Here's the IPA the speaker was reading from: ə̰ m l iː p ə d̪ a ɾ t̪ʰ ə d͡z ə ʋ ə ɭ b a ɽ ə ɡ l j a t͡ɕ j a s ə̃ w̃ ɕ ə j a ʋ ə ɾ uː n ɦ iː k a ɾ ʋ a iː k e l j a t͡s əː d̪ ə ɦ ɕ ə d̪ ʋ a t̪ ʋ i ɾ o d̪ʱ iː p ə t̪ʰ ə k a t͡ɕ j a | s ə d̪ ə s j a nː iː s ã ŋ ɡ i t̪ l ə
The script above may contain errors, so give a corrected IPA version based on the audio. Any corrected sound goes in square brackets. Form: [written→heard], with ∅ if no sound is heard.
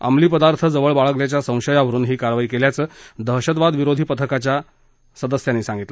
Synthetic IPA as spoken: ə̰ m l iː p ə d̪ a ɾ t̪ʰ ə d͡z ə ʋ ə ɭ b a [ɽ→ɭ] ə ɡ l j a t͡ɕ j a s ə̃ w̃ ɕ ə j a ʋ ə ɾ uː n ɦ iː k a ɾ ʋ a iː k e l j a t͡s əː d̪ ə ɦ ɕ ə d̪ ʋ a [t̪→d̪] ʋ i ɾ o d̪ʱ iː p ə t̪ʰ ə k a t͡ɕ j a | s ə d̪ ə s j a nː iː s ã ŋ ɡ i t̪ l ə

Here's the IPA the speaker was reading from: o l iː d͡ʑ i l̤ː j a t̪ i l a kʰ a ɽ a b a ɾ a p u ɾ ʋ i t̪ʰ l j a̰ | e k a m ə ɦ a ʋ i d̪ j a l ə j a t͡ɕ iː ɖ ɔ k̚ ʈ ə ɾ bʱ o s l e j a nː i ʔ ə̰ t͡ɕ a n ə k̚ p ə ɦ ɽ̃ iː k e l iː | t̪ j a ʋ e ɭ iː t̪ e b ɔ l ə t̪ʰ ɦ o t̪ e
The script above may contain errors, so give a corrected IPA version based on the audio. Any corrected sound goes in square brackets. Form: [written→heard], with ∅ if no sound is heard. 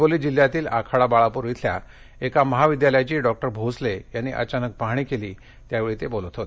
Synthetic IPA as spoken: o l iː d͡ʑ i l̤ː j a t̪ [i→iː] l a kʰ a ɽ a b a [ɾ→ɭ] a p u ɾ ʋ i t̪ʰ l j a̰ | e k a m ə ɦ a ʋ i d̪ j a l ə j a t͡ɕ iː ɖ ɔ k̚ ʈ ə ɾ bʱ o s l e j a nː i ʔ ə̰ t͡ɕ a n ə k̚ p [ə→a] ɦ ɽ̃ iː k e l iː | t̪ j a ʋ e ɭ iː t̪ e b [ɔ→o] l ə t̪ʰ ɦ o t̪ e

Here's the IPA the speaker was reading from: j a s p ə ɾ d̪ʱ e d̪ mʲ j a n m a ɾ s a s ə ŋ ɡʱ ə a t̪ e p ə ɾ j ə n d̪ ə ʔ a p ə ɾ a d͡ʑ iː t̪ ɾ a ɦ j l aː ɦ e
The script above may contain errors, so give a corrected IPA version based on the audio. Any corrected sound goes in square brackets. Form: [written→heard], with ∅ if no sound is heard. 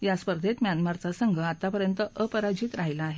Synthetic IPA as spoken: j a s p ə ɾ d̪ʱ e [d̪→t̪] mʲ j a n m a ɾ [s→t͡s] a s ə ŋ ɡʱ ə a t̪ [e→a] p ə ɾ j ə n [d̪→t̪] ə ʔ [a→ə] p ə ɾ a d͡ʑ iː t̪ ɾ a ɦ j l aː ɦ e

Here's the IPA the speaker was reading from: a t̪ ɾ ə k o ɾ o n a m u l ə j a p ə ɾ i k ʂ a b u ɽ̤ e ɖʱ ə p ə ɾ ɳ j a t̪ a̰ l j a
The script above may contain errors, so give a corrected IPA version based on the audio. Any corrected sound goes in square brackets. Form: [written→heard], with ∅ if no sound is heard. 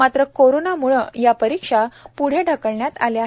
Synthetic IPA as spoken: a t̪ ɾ ə k o ɾ o n a m u [l→ɭ] ə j a p ə ɾ i k ʂ a [b→p] u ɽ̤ e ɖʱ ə [p→k] ə [ɾ→ɭ] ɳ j a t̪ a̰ l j a

